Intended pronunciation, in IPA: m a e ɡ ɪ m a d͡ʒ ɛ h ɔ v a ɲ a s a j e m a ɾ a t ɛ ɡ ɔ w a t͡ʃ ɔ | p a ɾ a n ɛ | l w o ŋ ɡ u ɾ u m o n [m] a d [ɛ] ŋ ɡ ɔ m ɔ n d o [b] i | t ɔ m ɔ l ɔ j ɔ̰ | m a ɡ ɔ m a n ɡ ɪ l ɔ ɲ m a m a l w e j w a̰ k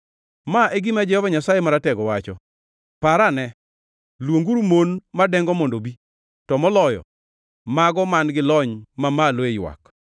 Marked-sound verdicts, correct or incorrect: correct, correct, correct

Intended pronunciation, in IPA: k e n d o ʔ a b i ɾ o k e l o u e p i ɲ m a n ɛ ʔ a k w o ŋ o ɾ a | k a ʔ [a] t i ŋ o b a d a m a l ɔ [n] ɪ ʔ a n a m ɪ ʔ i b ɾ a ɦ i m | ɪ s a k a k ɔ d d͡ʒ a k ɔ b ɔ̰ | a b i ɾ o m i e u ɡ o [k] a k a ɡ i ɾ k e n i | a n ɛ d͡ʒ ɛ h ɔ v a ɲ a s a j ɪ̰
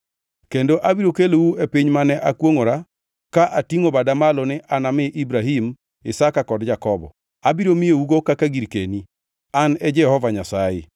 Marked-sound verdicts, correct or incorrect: correct, correct, correct

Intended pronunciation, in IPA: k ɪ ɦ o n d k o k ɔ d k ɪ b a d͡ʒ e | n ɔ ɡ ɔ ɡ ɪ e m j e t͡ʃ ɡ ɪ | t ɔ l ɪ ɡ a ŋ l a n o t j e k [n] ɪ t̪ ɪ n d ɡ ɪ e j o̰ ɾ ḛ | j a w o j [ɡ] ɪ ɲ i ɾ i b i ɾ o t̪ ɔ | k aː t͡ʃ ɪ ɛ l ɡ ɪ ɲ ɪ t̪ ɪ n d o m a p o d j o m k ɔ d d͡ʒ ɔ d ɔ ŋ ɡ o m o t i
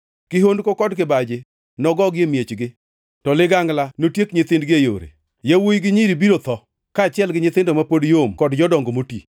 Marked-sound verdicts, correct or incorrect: incorrect, correct

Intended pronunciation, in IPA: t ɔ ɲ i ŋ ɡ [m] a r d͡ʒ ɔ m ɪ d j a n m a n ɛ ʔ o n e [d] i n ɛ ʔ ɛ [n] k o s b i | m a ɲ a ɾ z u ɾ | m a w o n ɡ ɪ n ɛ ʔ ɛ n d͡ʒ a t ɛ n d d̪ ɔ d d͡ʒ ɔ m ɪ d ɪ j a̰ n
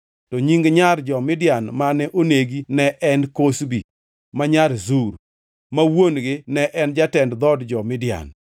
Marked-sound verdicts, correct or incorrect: incorrect, incorrect, correct

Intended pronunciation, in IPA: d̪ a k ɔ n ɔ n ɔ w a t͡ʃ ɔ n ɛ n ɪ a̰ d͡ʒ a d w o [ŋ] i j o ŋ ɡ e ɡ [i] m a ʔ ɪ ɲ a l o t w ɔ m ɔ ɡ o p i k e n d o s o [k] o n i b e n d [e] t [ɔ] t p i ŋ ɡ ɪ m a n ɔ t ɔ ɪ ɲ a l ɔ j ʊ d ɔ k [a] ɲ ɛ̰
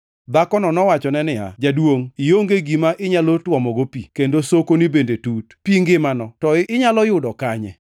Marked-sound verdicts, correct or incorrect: correct, correct, correct, correct, incorrect, correct

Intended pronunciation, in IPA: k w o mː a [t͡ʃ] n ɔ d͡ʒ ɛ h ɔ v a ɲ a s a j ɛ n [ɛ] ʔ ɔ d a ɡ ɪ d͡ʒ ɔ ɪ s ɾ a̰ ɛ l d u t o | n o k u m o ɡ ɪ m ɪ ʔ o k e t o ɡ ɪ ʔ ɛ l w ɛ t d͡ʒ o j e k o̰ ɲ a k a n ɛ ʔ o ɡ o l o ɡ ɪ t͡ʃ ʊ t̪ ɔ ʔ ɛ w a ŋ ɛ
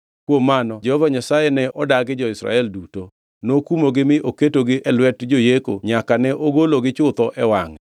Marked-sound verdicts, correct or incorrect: incorrect, correct

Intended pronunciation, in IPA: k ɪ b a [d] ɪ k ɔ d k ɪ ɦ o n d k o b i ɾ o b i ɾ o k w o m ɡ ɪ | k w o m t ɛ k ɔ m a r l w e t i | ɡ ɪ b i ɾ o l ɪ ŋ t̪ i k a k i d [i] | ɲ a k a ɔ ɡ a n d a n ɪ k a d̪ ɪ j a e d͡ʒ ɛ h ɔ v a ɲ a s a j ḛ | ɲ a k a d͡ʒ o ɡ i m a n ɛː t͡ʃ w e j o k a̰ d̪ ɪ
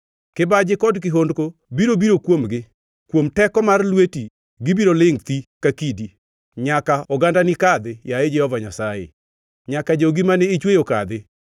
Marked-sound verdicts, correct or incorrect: incorrect, correct

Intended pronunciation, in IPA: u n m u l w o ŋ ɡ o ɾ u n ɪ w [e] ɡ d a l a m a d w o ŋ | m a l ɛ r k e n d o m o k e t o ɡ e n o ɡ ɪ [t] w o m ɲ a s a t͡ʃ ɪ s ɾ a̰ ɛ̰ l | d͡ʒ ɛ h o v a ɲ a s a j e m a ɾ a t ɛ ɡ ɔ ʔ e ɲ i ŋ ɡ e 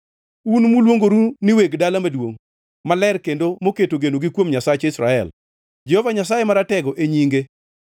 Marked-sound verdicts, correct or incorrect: correct, incorrect

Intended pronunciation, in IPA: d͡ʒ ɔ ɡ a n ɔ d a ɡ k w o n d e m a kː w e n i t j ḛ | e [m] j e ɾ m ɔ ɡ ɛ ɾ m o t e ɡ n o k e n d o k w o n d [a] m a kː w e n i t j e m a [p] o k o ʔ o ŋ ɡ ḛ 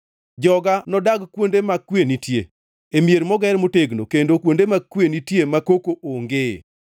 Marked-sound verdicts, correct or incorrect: correct, incorrect, incorrect

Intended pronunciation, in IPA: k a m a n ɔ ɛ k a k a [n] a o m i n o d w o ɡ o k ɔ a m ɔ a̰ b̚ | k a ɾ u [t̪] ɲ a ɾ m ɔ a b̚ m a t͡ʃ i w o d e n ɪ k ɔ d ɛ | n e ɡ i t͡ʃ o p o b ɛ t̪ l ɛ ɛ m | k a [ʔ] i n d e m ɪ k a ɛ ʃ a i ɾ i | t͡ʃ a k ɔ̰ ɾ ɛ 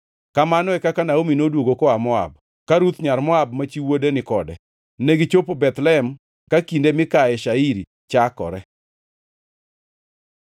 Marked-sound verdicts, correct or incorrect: correct, correct, incorrect

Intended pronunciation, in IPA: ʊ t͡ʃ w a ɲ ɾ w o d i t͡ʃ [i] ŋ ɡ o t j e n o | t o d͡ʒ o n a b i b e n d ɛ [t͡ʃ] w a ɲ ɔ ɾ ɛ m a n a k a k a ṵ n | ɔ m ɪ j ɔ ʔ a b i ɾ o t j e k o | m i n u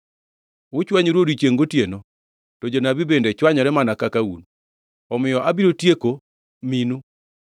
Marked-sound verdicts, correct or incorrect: incorrect, correct

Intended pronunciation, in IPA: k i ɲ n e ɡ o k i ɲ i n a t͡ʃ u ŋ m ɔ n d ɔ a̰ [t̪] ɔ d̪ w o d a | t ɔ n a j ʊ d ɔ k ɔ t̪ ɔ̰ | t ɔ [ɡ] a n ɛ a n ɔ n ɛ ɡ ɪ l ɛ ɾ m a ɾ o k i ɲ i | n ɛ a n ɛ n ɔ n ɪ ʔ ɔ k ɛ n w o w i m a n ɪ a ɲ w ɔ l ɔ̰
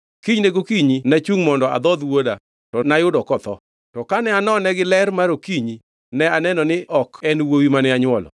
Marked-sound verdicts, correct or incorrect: incorrect, incorrect

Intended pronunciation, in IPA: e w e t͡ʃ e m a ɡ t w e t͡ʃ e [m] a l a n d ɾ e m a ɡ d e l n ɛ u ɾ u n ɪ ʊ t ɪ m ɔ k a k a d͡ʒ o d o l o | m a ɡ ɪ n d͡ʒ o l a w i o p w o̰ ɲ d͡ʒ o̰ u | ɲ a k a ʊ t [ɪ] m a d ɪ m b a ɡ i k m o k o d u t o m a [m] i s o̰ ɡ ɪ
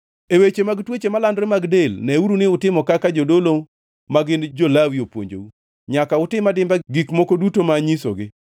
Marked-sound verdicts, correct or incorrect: correct, correct, incorrect

